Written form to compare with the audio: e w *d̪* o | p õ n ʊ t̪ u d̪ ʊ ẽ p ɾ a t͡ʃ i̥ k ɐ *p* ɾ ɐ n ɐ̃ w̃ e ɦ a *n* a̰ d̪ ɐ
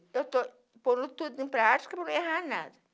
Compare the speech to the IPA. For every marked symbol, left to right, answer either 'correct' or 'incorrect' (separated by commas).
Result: incorrect, correct, correct